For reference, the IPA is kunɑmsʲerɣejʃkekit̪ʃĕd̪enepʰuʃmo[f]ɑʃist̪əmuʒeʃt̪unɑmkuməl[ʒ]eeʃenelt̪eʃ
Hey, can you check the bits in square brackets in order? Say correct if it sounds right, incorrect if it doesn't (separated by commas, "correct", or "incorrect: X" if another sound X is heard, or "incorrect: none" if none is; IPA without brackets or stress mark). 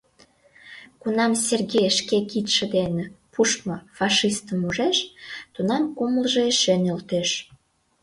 correct, correct